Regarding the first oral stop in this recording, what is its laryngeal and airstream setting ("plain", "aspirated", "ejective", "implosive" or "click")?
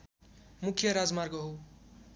aspirated